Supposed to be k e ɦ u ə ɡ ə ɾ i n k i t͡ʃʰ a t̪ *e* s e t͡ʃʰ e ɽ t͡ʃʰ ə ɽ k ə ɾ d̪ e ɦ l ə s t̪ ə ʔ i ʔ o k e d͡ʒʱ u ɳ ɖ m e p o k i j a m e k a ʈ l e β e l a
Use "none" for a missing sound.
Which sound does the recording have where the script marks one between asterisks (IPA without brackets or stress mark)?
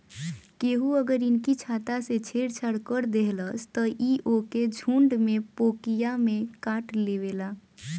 a